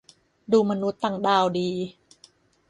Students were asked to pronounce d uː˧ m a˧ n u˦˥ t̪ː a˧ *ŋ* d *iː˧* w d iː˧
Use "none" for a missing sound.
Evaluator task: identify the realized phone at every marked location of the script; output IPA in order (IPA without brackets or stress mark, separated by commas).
ŋ, aː˧